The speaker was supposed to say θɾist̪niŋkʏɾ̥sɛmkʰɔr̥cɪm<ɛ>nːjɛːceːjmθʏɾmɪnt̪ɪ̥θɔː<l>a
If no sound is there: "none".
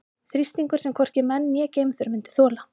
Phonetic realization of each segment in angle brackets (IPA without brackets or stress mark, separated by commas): ɛ, l